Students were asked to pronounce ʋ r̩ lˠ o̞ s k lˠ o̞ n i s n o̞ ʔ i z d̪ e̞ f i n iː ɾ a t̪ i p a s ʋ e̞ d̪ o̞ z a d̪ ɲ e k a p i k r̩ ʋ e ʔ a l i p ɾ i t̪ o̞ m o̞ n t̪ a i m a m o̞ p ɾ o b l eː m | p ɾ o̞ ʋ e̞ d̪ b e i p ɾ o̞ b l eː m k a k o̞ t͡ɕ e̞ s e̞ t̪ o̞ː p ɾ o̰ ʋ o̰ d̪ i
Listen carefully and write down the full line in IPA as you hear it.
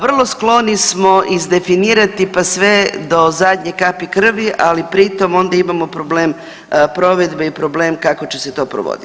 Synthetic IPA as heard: ʋ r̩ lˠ o̞ s k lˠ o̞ n i s m o̞ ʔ i z d̪ e̞ f i n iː ɾ a t̪ i p a s ʋ e̞ d̪ o̞ z a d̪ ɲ e k a p i k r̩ ʋ i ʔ a l i p ɾ i t̪ o̞ m o̞ n d̪ a i m a m o̞ p ɾ o b l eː m | p ɾ o̞ ʋ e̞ d̪ b e i p ɾ o̞ b l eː m k a k o̞ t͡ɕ e̞ s e̞ t̪ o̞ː p ɾ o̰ ʋ o̰ d̪ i